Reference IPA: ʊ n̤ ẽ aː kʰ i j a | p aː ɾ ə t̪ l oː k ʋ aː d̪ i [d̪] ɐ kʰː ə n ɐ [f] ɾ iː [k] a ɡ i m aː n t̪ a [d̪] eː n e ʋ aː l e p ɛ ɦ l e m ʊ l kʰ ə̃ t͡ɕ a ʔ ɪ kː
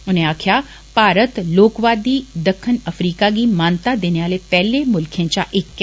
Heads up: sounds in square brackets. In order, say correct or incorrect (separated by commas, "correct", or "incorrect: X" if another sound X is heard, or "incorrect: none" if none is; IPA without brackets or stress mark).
correct, correct, correct, correct